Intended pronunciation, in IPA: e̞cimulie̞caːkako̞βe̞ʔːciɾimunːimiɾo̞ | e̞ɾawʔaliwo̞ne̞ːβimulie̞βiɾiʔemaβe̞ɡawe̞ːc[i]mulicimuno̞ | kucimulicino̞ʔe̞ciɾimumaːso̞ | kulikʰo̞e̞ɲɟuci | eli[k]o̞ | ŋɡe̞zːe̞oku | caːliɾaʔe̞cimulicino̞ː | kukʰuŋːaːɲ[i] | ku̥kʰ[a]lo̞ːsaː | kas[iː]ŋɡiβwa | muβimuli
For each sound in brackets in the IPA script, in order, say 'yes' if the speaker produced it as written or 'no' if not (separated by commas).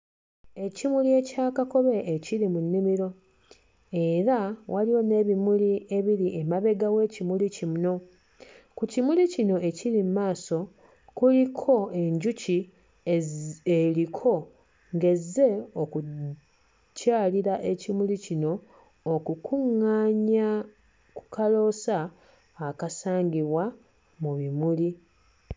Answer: yes, no, no, yes, no